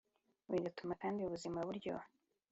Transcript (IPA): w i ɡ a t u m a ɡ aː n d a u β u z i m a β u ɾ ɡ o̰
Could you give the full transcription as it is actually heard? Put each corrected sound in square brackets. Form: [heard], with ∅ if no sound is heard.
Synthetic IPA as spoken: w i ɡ a t u m a [k] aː n d [i] u β u z i m a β u ɾ [ɟ] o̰